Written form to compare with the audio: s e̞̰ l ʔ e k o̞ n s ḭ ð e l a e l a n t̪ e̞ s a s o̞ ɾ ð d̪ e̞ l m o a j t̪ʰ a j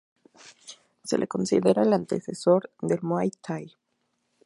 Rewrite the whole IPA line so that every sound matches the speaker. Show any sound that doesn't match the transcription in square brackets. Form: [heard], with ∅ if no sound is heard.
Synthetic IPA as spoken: s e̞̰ l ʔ e k o̞ n s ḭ ð e [ɾ] a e l a n t̪ e̞ s [e] s o̞ ɾ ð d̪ e̞ l m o a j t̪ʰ a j